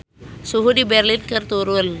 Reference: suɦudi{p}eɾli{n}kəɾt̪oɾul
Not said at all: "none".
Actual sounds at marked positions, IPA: b, n

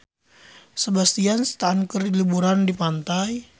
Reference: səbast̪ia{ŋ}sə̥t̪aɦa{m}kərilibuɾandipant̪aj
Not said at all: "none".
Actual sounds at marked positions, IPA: n, n

